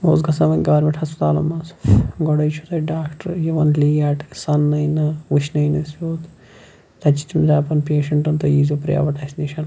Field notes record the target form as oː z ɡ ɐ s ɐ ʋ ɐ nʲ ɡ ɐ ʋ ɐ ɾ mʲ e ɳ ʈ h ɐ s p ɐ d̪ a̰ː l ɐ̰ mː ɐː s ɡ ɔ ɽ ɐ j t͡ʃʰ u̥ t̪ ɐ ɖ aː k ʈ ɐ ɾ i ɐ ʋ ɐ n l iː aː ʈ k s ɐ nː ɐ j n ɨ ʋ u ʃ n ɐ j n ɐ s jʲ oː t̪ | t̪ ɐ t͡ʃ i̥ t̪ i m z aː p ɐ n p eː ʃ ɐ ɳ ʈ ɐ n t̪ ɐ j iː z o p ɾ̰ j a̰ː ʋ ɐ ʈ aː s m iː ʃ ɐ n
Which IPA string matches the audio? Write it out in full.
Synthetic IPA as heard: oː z ɡ ɐ s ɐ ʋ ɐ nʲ ɡ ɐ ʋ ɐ ɾ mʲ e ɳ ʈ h ɐ s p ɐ t̪ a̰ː l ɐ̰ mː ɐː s ɡ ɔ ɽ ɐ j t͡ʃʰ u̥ t̪ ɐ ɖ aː k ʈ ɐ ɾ j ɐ ʋ ɐ n l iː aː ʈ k s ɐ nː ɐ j n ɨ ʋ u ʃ n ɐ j n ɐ s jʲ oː t̪ | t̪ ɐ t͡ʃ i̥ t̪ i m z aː p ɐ n p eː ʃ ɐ ɳ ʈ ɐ n t̪ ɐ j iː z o p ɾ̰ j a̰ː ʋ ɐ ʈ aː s n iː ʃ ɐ n